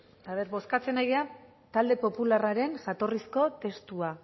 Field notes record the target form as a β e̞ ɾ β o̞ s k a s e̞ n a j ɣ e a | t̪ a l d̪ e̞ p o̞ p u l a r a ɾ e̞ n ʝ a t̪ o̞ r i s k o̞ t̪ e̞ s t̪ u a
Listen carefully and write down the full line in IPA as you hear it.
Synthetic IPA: a β e̞ ɾ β o̞ s k a t͡s e̞ n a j ɣ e a | t̪ a l d̪ e̞ p o̞ p u l a r a ɾ e̞ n ʝ a t̪ o̞ r i s k o̞ t̪ e̞ s t̪ u a